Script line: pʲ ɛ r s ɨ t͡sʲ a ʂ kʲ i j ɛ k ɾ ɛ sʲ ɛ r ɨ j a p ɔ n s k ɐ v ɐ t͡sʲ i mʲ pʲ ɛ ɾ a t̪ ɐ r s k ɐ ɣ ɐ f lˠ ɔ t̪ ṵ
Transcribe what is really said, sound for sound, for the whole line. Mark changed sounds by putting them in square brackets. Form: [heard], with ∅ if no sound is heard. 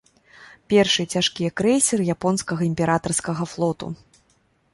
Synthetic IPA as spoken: pʲ ɛ r [ʂ] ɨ t͡sʲ a ʂ kʲ i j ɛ k ɾ ɛ sʲ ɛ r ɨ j a p ɔ n s k ɐ [ɣ] ɐ [∅] i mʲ pʲ ɛ ɾ a t̪ ɐ r s k ɐ ɣ ɐ f lˠ ɔ t̪ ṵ